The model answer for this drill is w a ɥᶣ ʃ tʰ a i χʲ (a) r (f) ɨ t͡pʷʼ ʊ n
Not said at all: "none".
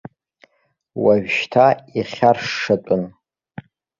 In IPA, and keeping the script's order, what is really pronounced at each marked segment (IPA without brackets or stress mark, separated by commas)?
a, ʂ